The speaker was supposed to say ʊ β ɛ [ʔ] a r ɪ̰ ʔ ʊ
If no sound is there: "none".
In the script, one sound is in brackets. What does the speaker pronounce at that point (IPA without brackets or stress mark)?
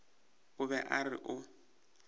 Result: ʔ